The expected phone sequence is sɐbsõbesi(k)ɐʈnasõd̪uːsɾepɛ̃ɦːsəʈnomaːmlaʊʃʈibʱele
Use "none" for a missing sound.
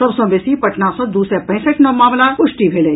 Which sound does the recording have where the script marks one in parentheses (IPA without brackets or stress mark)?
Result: p